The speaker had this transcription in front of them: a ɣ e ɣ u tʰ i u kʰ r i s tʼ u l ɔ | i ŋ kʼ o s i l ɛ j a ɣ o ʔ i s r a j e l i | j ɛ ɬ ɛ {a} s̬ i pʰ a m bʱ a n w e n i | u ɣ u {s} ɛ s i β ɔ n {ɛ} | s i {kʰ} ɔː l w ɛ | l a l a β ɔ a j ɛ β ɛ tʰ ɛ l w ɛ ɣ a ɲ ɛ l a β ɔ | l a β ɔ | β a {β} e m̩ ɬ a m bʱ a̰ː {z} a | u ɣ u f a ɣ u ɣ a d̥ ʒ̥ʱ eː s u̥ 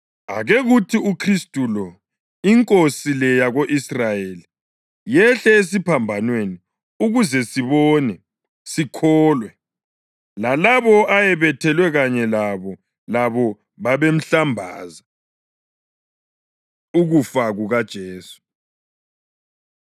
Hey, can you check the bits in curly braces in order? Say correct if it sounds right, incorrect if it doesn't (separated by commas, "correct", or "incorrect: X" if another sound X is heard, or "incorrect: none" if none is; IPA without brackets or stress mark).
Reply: incorrect: e, incorrect: z, correct, correct, correct, correct